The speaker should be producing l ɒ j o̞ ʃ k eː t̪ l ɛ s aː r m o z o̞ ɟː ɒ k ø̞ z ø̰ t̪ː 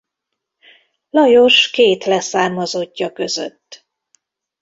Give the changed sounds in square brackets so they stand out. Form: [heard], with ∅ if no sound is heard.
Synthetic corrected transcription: l ɒ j o̞ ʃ k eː t̪ l ɛ s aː r m [ɒ] z o̞ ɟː ɒ k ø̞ z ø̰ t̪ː